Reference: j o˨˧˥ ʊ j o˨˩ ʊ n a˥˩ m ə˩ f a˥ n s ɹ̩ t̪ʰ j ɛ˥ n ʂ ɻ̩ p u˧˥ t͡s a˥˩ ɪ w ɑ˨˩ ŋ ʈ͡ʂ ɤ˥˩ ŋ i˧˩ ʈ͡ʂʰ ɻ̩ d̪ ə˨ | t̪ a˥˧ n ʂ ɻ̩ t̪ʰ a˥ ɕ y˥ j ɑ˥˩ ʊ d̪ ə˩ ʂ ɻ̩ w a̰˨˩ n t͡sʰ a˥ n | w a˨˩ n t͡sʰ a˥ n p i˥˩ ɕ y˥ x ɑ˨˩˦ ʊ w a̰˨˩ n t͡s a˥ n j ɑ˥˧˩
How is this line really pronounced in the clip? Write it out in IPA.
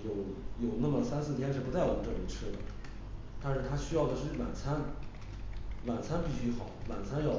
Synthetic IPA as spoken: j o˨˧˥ ʊ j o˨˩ ʊ n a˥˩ m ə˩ s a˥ n s ɹ̩ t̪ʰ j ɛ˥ n ʂ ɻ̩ p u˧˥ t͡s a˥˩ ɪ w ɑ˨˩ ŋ ʈ͡ʂ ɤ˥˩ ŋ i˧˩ ʈ͡ʂʰ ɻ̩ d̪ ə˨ | t̪ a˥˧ n ʂ ɻ̩ t̪ʰ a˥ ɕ y˥ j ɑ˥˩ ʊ d̪ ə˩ ʂ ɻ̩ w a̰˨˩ n t͡sʰ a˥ n | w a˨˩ n t͡sʰ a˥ n p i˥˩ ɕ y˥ x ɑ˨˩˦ ʊ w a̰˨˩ n t͡sʰ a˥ n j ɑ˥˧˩